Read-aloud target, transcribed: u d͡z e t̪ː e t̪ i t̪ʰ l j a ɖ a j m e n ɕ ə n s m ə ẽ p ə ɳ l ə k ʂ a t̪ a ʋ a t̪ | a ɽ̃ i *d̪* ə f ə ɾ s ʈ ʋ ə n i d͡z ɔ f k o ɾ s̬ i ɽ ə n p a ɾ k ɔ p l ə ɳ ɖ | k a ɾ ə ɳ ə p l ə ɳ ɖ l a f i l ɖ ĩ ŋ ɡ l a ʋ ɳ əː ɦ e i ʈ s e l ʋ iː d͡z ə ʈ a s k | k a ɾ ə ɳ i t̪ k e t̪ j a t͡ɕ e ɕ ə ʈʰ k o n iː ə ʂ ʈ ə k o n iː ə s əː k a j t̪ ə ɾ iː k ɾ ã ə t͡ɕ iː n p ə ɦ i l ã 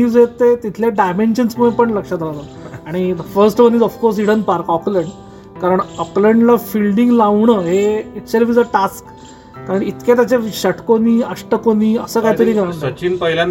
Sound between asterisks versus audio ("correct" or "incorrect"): correct